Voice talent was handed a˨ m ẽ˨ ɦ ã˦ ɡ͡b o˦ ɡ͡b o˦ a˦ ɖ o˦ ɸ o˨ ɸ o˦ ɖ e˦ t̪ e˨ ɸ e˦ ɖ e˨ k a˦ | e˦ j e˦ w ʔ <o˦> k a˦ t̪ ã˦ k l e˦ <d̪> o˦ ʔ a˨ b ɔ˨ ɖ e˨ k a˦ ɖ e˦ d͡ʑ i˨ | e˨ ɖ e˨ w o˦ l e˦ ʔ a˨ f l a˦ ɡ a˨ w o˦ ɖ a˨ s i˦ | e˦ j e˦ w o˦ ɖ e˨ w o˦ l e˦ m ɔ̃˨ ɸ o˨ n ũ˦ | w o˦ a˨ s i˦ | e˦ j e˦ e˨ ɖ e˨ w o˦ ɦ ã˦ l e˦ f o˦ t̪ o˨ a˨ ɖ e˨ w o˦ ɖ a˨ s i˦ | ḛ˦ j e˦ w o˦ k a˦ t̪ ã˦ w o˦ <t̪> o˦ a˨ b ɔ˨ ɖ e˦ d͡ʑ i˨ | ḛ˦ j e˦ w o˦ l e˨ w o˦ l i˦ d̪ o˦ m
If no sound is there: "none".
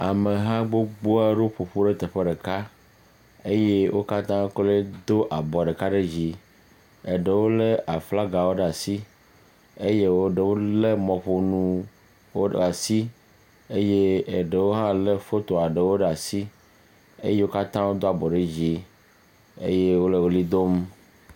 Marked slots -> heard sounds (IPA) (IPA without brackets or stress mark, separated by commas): o˦, d̪, d̪